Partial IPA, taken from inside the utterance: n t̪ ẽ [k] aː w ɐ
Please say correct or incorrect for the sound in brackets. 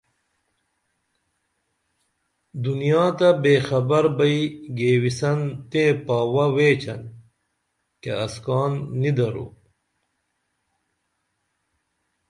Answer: incorrect